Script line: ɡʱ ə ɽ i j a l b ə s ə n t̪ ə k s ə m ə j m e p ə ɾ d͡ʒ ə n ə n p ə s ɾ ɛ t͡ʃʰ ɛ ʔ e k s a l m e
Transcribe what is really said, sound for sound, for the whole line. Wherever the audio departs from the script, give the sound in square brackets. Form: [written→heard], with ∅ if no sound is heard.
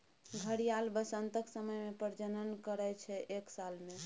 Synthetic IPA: ɡʱ ə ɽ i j a l b ə s ə n t̪ ə k s ə m ə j m e p ə ɾ d͡ʒ ə n ə n [p→k] ə [s→∅] ɾ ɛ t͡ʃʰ ɛ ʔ e k s a l m e